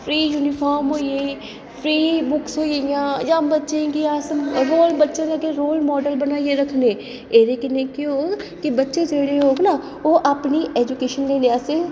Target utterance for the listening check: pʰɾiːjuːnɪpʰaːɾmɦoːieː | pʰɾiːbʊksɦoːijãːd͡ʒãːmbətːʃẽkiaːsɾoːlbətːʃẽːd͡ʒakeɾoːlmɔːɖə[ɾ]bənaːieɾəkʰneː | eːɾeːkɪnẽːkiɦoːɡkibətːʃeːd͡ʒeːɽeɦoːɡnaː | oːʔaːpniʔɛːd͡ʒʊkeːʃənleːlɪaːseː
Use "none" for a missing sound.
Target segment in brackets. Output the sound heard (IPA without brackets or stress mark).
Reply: l